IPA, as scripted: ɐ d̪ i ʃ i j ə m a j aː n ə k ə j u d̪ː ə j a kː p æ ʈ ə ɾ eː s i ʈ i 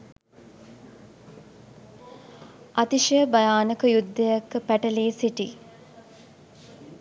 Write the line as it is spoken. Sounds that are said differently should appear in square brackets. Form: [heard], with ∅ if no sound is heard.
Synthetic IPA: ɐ [t̪] i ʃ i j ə [b] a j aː n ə k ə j u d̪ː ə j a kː p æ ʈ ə [l] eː s i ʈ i